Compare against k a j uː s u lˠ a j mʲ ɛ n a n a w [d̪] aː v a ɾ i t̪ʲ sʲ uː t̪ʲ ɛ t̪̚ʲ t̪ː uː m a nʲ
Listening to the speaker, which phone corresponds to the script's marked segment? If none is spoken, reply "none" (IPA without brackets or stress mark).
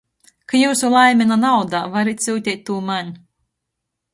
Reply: d̪